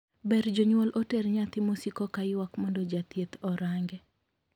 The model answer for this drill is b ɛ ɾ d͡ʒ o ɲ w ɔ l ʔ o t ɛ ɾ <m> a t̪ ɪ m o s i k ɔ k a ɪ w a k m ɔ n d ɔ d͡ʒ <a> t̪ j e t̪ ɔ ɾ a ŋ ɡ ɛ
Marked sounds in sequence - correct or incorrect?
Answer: incorrect: ɲ, correct

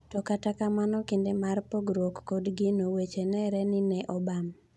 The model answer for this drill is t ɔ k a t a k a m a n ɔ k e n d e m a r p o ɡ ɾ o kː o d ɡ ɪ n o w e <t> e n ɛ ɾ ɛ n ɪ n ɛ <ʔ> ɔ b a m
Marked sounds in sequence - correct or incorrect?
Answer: incorrect: t͡ʃ, correct

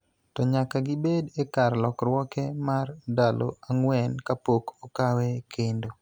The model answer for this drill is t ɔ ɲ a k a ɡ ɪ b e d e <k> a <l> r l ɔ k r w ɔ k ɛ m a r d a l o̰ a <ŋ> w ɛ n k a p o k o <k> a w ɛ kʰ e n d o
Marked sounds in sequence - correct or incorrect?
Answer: correct, incorrect: none, correct, correct

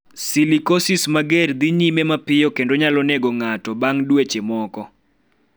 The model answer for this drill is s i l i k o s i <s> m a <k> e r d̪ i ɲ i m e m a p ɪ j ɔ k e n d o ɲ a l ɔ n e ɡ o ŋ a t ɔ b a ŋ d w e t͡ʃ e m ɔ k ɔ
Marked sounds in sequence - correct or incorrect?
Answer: correct, incorrect: ɡ

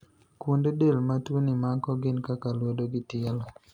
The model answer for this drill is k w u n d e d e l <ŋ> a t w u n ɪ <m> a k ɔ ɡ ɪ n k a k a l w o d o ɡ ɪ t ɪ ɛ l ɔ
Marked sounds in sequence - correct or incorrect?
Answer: incorrect: m, correct

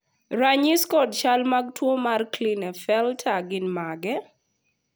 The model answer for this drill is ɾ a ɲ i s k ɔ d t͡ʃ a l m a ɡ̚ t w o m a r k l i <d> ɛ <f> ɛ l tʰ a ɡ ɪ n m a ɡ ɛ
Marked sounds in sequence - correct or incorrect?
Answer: incorrect: n, correct

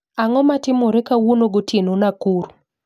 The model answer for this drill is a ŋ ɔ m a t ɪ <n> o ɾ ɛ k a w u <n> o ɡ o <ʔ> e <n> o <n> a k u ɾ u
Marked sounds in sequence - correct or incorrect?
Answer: incorrect: m, correct, incorrect: t, correct, correct

